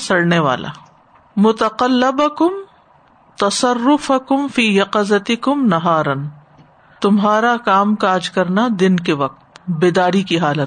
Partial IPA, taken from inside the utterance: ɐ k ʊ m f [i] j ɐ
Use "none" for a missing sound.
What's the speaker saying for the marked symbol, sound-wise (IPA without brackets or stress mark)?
iː